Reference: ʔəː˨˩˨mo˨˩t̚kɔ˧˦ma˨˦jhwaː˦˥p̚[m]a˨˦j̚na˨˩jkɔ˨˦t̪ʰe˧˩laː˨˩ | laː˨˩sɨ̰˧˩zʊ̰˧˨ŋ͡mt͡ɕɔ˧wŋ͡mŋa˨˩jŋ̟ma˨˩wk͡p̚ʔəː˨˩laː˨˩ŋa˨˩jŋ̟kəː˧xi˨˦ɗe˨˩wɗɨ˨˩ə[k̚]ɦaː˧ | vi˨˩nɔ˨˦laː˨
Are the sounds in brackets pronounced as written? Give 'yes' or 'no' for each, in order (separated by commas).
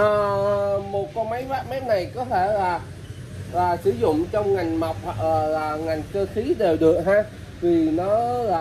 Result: yes, yes